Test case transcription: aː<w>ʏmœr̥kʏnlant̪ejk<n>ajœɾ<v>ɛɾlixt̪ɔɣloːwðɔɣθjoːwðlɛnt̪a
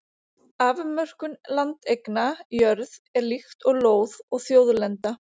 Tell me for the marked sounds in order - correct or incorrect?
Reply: incorrect: v, correct, incorrect: ð

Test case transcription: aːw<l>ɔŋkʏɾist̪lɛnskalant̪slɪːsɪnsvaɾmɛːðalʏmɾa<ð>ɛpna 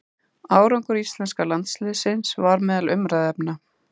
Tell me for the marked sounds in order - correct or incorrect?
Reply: incorrect: ɾ, correct

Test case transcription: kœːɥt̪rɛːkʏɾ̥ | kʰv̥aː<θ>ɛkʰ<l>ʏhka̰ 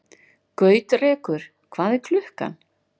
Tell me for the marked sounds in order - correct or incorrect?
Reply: incorrect: ð, correct

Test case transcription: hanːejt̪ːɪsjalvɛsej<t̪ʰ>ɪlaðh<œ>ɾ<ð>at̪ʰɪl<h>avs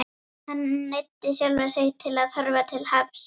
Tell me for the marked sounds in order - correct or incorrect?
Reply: correct, correct, incorrect: v, correct

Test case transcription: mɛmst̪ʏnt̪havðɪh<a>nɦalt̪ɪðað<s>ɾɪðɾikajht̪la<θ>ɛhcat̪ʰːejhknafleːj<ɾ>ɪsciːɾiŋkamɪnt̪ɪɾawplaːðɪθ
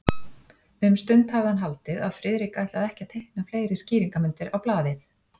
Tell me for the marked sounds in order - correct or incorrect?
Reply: correct, incorrect: f, incorrect: ð, correct

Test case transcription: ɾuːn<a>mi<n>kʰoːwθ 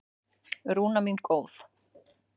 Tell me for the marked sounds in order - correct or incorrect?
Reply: correct, correct

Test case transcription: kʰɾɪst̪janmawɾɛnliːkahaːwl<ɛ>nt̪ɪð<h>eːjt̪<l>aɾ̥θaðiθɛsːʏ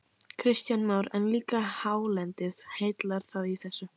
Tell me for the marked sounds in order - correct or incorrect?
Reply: correct, correct, correct

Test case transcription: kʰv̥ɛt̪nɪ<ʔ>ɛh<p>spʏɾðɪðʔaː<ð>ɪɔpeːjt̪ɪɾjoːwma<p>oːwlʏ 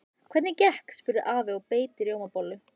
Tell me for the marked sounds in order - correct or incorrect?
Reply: incorrect: c, incorrect: k, incorrect: v, correct

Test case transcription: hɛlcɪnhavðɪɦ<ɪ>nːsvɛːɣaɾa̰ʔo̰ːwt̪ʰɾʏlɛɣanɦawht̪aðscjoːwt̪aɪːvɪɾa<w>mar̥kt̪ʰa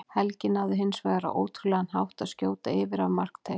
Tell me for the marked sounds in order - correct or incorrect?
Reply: correct, incorrect: v

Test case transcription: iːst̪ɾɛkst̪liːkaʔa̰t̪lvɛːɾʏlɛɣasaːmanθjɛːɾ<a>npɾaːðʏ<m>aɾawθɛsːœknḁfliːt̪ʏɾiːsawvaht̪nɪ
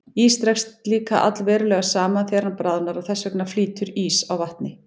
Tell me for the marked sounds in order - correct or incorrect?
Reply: correct, incorrect: n

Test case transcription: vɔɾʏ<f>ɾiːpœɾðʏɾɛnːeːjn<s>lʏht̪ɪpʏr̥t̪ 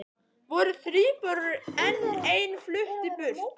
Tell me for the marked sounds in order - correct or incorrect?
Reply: incorrect: θ, incorrect: f

